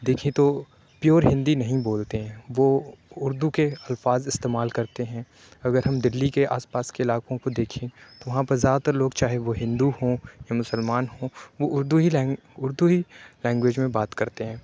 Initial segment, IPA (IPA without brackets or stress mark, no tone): d̪